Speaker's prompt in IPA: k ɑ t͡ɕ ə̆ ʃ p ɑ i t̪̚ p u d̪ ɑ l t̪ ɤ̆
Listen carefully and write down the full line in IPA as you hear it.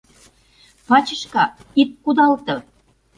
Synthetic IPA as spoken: p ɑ t͡ɕ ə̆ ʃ k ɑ i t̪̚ k u d̪ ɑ l t̪ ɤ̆